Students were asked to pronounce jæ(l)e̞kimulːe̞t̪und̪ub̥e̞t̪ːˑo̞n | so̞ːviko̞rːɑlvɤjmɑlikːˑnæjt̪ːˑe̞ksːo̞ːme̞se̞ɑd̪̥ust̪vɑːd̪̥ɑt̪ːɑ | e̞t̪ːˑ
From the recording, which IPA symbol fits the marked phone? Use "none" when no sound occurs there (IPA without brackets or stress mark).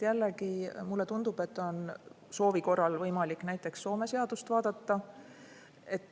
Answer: lː